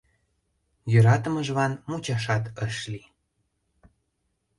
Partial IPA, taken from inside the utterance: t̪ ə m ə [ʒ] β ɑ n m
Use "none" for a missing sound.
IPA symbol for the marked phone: ʒ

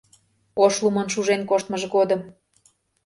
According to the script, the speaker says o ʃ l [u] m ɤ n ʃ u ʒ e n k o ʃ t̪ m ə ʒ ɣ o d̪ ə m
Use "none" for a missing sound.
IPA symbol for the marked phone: u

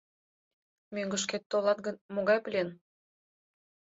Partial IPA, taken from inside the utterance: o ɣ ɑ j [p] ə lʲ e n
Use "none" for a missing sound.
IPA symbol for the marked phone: p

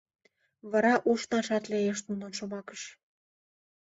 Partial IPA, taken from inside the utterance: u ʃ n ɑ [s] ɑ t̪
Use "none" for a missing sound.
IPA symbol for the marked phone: ʃ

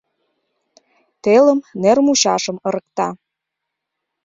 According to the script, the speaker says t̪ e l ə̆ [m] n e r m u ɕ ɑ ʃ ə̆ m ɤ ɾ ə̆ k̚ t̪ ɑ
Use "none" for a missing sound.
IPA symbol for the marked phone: m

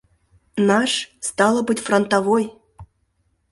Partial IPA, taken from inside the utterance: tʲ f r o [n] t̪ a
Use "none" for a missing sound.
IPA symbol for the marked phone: n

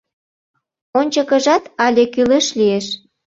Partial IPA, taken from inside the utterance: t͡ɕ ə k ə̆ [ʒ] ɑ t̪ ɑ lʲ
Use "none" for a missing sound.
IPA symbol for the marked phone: ʒ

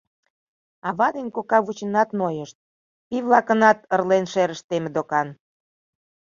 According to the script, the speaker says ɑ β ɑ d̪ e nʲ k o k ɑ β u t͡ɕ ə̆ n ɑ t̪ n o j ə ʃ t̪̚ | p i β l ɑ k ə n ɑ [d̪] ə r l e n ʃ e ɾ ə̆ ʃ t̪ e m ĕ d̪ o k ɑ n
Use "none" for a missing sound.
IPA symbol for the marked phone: t̪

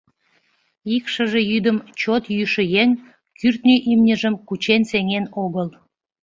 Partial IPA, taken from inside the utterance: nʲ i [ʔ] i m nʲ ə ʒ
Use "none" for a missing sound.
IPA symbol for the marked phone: ʔ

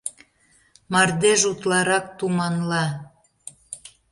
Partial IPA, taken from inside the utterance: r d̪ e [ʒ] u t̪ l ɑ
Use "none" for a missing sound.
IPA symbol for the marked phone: ʒ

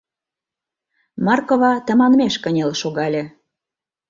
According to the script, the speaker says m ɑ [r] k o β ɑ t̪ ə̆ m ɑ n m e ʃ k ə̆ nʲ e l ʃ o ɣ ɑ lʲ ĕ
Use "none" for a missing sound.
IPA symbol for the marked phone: r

